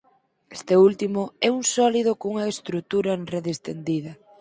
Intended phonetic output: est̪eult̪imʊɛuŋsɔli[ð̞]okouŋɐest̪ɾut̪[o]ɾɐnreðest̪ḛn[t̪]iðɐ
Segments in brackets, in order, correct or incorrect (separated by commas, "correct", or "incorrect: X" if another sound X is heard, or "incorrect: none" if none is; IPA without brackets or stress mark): correct, incorrect: u, incorrect: d̪